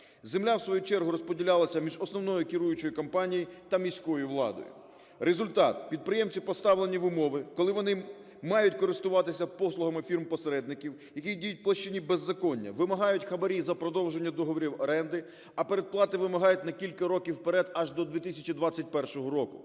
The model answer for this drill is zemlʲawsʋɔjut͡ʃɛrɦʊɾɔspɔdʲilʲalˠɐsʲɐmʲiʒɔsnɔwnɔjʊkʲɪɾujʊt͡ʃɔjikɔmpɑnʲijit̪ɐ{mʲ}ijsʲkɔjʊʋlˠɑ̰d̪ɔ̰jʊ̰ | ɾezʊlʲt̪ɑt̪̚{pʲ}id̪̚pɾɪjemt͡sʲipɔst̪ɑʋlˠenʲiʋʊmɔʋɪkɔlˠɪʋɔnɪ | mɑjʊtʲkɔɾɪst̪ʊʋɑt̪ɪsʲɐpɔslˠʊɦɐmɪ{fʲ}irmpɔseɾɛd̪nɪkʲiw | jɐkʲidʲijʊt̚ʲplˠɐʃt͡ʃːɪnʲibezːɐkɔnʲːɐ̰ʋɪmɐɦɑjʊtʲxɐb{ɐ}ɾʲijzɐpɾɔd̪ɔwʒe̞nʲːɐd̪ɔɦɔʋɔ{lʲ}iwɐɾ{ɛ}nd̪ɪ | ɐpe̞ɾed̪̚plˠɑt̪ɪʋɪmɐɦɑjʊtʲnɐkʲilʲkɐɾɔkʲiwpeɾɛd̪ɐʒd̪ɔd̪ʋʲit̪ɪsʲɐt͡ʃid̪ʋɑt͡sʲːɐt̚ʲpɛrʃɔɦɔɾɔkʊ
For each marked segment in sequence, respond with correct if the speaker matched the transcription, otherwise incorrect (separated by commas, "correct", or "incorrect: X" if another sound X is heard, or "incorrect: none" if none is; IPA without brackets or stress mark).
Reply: correct, correct, correct, correct, incorrect: ɾʲ, correct